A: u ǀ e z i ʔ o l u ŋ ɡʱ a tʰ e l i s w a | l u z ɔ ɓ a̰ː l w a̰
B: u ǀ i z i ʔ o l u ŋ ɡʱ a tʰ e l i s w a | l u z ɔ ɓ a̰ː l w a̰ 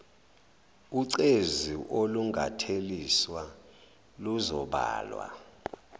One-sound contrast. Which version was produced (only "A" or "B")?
A